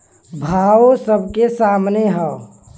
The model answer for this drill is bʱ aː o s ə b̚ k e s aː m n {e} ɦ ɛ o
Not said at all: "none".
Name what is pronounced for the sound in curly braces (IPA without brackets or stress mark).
e